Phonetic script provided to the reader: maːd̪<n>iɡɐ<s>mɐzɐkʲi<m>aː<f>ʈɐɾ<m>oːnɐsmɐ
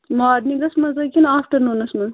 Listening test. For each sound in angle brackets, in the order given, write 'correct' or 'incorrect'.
correct, correct, incorrect, correct, incorrect

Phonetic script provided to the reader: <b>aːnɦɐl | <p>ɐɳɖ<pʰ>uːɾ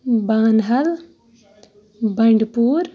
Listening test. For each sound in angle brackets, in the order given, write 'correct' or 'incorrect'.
correct, incorrect, incorrect

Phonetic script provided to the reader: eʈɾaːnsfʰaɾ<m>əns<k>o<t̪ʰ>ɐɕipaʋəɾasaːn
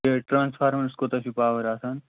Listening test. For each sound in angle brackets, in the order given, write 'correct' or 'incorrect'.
correct, correct, incorrect

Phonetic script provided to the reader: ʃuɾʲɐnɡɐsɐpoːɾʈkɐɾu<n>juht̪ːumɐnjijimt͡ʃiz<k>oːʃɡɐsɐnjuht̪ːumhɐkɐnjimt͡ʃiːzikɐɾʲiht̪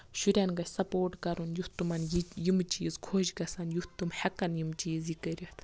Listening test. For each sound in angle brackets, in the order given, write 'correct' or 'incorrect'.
correct, incorrect

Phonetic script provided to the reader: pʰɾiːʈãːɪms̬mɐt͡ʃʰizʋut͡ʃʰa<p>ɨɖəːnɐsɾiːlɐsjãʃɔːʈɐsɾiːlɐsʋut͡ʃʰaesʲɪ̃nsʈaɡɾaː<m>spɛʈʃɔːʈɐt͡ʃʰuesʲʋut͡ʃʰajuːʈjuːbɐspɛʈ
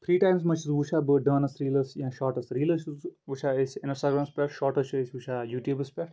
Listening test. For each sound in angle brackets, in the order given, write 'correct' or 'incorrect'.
incorrect, correct

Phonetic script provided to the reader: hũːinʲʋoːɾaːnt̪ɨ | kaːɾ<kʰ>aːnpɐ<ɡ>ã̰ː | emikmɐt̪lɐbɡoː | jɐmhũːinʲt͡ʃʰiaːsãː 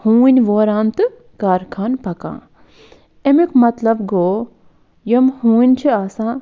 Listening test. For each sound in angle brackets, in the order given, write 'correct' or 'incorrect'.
correct, incorrect

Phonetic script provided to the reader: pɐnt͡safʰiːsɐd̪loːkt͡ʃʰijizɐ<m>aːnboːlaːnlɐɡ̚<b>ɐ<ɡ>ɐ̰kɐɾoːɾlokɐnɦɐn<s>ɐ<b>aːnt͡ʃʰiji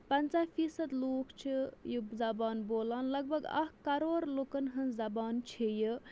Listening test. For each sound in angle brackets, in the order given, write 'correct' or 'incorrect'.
incorrect, correct, correct, incorrect, correct

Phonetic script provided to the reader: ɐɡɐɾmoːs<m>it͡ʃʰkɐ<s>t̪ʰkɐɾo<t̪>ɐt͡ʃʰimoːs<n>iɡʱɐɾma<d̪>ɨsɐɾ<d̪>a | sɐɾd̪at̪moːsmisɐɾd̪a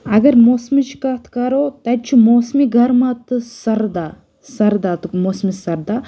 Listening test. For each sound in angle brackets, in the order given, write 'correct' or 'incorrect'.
correct, incorrect, correct, incorrect, incorrect, correct

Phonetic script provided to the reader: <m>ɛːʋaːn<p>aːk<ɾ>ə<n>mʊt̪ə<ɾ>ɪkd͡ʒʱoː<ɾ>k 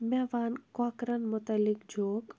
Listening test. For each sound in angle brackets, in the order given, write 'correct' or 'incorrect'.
correct, incorrect, correct, correct, incorrect, incorrect

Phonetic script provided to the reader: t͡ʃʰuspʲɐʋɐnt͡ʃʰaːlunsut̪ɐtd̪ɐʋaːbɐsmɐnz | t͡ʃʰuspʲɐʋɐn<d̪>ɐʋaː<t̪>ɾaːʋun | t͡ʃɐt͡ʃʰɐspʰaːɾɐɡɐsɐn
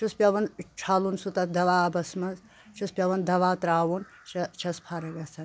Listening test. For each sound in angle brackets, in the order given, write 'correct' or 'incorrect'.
correct, correct

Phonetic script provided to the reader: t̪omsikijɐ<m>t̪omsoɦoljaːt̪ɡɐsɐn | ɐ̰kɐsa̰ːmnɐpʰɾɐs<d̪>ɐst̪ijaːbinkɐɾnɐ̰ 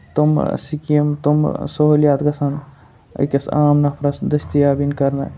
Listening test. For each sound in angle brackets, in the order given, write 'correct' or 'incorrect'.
correct, correct

